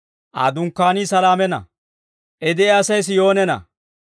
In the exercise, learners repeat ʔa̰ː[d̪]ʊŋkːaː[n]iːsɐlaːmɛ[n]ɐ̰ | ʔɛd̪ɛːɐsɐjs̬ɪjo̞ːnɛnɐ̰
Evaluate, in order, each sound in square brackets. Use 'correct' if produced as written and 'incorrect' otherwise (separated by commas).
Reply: correct, correct, correct